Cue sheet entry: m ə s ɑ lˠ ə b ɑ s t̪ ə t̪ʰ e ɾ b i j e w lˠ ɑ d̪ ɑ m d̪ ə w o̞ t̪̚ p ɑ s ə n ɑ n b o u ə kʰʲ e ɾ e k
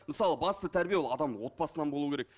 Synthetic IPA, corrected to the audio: m ə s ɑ lˠ ə b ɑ s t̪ ə t̪ʰ æ ɾ b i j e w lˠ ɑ d̪ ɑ m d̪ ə w o̞ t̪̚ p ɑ s ə n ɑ n b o u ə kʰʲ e ɾ e k